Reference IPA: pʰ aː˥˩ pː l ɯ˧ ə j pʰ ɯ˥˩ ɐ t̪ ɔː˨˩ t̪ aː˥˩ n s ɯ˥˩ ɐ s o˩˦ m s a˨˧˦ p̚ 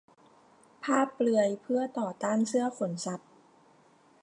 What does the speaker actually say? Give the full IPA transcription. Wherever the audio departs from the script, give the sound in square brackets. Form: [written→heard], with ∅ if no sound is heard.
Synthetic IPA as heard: pʰ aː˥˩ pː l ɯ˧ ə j pʰ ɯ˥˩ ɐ t̪ ɔː˨˩ t̪ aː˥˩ n s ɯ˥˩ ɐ [s→f] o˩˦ [m→n] s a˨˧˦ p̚